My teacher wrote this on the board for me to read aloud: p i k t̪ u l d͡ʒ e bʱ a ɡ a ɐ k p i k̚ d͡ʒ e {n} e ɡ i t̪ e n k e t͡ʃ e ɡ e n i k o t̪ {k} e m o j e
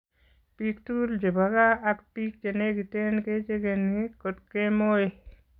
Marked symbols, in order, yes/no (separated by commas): yes, yes